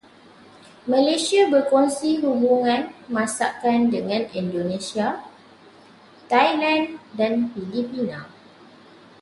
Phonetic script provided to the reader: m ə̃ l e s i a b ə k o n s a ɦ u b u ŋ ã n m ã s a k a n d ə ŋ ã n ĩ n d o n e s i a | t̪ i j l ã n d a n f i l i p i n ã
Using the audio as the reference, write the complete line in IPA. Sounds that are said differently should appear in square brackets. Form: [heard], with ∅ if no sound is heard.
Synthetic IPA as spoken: m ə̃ l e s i a b ə k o n s [i] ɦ u b u ŋ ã n m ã s a k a n d ə ŋ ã n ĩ n d o n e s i a | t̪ [a] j l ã n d a n f i l i p i n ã